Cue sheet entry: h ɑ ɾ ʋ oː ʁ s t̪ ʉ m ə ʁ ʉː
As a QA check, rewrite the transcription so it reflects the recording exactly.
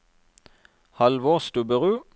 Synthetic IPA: h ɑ l ʋ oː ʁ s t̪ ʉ b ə ʁ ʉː